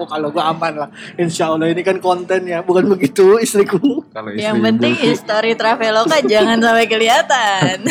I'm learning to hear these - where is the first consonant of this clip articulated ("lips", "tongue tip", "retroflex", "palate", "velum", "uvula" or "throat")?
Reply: velum